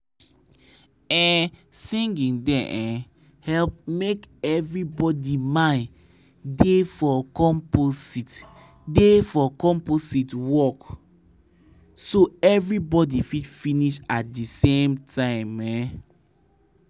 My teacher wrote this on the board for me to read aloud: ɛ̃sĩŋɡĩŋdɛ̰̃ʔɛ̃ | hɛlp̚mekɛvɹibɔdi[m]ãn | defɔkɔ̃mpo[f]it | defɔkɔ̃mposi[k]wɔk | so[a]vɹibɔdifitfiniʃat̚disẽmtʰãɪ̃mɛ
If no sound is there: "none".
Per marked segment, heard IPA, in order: m, s, t, ɛ

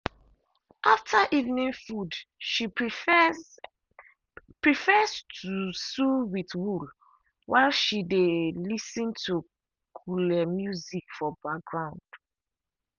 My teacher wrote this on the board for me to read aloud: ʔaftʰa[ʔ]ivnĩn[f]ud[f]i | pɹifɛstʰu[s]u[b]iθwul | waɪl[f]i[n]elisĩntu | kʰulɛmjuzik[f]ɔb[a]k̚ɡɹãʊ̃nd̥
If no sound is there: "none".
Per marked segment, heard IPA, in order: ʔ, f, ʃ, s, w, ʃ, d, f, a

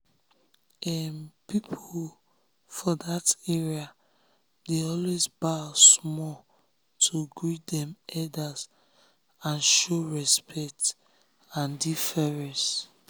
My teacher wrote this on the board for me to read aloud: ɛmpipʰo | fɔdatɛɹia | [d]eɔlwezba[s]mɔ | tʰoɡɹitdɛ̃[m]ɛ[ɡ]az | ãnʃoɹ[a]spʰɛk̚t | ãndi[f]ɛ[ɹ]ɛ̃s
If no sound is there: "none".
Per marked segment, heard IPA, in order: d, s, m, d, ɛ, f, ɹ

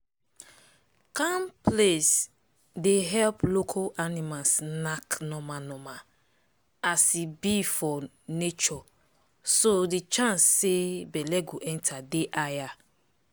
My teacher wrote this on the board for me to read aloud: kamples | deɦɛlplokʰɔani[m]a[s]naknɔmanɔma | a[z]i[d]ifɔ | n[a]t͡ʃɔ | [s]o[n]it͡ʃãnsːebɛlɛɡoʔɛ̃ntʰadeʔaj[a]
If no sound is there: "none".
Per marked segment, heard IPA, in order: m, s, s, b, e, s, d, a

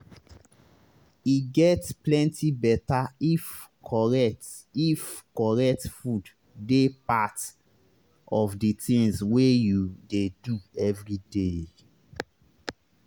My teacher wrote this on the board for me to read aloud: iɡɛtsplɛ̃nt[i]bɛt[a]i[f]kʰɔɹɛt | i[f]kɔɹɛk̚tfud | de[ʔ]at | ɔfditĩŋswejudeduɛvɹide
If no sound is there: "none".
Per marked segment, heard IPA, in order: i, a, f, f, p

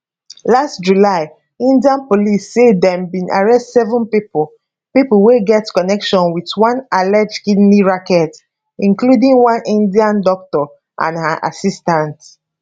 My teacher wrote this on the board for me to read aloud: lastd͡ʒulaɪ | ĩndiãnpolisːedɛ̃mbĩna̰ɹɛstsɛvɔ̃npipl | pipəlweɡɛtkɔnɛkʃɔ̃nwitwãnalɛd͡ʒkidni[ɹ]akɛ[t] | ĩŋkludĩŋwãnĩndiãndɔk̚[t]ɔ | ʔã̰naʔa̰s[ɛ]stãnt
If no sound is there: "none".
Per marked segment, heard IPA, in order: ɹ, t, t, i

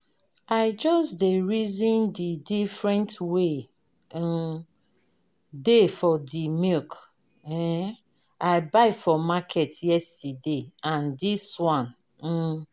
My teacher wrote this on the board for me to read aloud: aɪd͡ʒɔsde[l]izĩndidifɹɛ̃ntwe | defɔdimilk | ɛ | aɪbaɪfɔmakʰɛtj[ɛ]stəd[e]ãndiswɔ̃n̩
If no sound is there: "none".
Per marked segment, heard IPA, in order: ɹ, ɛ, e

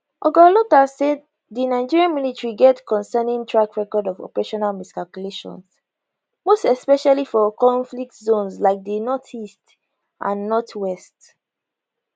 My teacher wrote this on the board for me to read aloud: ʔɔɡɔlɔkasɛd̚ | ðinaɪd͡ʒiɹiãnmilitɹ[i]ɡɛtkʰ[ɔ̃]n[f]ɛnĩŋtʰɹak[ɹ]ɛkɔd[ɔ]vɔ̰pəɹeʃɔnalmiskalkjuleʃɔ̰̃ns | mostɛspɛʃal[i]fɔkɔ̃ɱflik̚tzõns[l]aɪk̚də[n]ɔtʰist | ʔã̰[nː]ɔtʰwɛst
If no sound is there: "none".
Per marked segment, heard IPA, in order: i, ɔ̃, s, ɹ, ɔ, i, l, n, nː

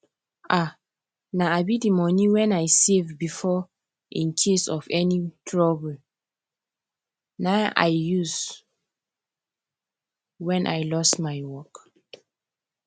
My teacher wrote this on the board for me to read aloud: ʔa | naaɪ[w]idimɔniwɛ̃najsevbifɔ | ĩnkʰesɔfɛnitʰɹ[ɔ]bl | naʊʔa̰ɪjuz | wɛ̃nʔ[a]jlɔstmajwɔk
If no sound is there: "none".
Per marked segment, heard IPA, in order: b, ɔ, a

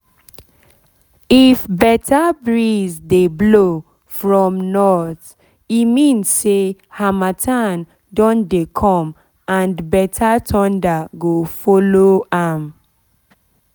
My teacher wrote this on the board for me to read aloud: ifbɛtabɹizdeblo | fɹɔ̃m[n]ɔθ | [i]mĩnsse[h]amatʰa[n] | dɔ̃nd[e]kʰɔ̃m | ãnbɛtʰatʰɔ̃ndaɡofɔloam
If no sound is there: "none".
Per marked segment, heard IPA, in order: n, i, h, n, e

